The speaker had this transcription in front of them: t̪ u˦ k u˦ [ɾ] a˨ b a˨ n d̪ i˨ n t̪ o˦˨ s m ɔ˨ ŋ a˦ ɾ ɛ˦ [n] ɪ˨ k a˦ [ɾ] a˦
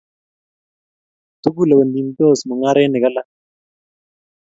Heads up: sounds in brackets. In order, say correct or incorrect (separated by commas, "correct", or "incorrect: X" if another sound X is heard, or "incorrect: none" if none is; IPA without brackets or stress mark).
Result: incorrect: l, correct, incorrect: l